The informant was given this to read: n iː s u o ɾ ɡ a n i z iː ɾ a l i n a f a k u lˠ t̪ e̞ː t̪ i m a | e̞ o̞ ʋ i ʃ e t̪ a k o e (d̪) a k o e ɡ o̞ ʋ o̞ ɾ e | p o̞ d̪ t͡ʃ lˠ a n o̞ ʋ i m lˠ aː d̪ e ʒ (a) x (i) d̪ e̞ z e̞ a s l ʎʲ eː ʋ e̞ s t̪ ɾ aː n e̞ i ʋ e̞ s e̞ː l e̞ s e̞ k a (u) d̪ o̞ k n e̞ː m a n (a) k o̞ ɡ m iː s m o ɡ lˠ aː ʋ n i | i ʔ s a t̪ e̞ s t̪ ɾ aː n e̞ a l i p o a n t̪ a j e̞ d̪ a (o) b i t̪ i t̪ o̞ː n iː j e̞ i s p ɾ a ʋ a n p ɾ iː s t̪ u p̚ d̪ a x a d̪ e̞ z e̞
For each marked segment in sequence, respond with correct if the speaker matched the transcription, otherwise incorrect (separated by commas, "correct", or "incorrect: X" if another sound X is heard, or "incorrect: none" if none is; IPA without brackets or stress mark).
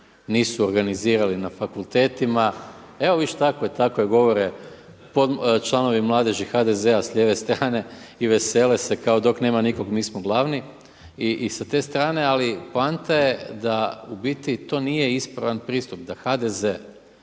incorrect: t̪, incorrect: i, incorrect: a, incorrect: o, incorrect: i, incorrect: u